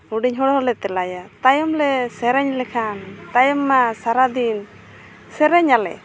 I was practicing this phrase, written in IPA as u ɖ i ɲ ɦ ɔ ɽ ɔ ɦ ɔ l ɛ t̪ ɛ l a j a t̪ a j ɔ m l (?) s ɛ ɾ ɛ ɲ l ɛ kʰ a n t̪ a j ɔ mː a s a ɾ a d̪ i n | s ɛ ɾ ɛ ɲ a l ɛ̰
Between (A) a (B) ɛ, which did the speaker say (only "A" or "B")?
B